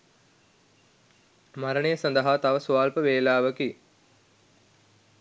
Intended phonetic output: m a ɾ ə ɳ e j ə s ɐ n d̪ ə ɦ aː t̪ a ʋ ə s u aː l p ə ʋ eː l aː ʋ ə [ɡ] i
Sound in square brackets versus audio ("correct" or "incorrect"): incorrect